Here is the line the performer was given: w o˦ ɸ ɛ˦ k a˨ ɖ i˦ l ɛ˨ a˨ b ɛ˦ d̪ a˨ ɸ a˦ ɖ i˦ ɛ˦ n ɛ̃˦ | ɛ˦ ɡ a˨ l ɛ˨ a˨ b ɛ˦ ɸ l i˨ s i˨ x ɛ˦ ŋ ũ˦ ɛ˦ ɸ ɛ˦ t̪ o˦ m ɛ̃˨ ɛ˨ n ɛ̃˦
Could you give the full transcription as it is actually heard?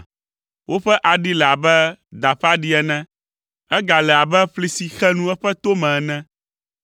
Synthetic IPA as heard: w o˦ ɸ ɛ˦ ʔ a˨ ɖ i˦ l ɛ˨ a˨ b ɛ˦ d̪ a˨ ɸ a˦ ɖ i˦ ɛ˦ n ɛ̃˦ | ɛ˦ ɡ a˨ l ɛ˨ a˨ b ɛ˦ ɸ l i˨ s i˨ x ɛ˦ n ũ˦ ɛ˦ ɸ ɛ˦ t̪ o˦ m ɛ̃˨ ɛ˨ n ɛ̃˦